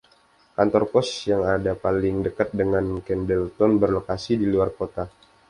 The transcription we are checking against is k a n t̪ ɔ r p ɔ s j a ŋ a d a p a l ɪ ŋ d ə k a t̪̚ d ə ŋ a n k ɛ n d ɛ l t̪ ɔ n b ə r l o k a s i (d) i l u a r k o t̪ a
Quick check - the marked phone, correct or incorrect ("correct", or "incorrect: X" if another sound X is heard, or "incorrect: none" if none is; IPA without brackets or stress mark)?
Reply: correct